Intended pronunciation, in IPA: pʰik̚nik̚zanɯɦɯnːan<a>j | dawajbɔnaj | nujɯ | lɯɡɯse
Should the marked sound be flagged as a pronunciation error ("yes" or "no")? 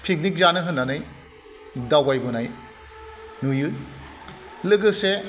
no